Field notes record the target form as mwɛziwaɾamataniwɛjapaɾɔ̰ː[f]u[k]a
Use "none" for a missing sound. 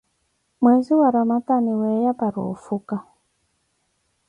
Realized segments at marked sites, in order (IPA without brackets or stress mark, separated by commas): f, k